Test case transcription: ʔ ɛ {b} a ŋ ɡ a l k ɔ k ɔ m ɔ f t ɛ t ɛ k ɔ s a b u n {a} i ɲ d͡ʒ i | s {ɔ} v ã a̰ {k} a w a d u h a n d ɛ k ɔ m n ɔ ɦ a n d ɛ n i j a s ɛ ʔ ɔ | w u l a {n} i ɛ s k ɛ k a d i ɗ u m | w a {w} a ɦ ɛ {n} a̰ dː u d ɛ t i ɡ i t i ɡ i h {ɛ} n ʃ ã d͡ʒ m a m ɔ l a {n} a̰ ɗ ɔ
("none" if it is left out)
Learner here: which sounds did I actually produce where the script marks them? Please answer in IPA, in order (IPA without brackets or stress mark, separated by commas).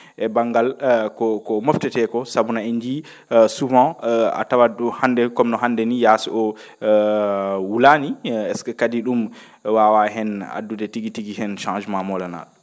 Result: b, a, u, t, n, w, n, ɛ, n